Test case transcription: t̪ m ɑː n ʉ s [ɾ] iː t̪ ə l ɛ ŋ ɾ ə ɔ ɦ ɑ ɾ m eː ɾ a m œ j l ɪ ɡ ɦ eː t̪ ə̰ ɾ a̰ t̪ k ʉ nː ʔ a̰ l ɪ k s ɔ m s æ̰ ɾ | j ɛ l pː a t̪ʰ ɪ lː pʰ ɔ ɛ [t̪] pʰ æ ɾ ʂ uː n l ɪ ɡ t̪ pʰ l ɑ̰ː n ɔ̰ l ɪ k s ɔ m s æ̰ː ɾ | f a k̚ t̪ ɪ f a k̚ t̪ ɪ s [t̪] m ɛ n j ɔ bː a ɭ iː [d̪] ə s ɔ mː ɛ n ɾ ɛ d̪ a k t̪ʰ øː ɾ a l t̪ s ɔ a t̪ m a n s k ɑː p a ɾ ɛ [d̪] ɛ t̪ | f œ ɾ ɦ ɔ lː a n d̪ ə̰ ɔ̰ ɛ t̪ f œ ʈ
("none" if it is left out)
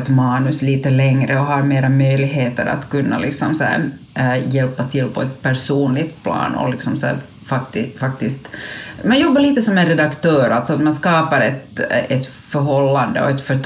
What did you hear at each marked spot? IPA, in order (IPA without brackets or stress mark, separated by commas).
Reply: l, t̪, t̪, t̪, t̪